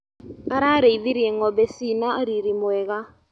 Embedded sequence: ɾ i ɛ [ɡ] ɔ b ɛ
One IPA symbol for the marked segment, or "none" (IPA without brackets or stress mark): ŋ